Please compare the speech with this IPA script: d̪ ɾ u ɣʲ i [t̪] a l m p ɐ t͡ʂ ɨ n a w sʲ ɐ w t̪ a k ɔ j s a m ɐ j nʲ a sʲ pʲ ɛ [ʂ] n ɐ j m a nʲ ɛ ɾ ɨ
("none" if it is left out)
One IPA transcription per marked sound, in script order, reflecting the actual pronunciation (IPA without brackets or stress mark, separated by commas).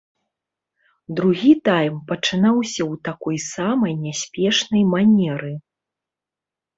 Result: t̪, ʂ